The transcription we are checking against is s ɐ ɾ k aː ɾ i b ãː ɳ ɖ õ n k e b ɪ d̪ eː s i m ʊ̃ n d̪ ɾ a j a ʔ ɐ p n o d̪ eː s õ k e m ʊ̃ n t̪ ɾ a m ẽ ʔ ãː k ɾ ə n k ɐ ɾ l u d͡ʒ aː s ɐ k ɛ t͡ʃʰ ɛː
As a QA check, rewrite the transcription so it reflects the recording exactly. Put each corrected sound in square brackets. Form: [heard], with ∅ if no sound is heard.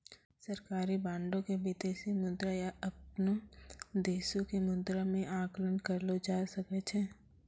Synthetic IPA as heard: s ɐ ɾ k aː ɾ i b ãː ɳ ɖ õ [∅] k e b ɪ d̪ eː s i m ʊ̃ n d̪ ɾ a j a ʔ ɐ p n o d̪ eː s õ k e m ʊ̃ n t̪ ɾ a m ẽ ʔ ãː k [l] ə n k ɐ ɾ l [o] d͡ʒ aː s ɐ k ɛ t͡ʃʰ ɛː